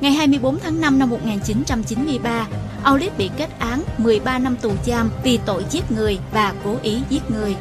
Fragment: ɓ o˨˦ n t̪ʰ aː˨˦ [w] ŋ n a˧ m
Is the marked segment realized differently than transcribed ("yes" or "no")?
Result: yes